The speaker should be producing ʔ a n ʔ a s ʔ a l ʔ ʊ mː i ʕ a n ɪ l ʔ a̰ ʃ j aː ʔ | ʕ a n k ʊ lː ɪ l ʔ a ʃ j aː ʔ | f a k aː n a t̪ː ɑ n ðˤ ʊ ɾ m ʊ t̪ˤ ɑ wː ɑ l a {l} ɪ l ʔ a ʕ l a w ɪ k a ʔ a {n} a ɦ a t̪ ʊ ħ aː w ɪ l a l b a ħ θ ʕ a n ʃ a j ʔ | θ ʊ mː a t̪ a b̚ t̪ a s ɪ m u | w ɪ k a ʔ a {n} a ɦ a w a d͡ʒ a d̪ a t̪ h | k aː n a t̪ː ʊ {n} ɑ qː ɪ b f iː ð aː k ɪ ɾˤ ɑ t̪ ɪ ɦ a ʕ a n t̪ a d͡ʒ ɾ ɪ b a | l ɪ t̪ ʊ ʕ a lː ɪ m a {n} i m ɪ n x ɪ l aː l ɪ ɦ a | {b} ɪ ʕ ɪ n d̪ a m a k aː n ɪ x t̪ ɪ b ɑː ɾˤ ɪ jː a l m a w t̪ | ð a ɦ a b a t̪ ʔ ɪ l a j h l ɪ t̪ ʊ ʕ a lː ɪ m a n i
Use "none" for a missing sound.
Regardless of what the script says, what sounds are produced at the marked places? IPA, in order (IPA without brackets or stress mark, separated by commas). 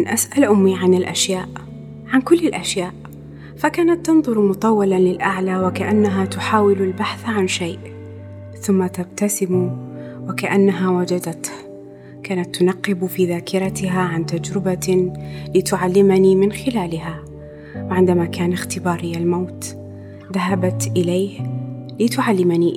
l, nː, nː, n, n, w